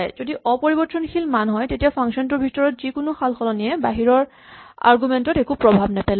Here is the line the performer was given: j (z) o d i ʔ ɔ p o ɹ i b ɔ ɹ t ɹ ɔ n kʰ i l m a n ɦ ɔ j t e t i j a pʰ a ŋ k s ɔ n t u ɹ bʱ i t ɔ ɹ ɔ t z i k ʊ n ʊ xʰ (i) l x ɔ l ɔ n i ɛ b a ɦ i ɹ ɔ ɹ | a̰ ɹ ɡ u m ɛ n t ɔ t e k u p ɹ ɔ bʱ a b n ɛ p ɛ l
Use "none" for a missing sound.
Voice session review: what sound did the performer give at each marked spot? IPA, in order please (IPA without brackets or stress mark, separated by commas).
z, a